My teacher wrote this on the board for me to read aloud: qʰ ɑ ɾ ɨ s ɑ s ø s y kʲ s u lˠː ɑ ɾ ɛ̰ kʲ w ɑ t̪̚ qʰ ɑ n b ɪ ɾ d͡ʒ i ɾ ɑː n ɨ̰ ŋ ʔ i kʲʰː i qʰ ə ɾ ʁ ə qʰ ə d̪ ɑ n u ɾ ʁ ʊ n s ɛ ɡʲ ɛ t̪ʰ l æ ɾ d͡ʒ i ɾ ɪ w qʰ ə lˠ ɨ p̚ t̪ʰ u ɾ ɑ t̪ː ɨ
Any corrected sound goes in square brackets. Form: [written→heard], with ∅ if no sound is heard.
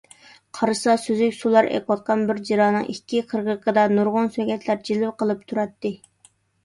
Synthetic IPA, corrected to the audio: qʰ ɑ ɾ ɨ s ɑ s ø [s→z] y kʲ s u [lˠː→lˠ] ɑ ɾ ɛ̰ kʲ w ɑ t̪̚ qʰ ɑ n b ɪ ɾ d͡ʒ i ɾ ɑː n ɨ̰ ŋ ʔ i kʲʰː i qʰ ə ɾ ʁ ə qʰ ə d̪ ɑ n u ɾ ʁ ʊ n s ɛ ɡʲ ɛ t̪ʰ l æ ɾ d͡ʒ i [ɾ→l] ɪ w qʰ ə lˠ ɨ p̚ t̪ʰ u ɾ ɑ t̪ː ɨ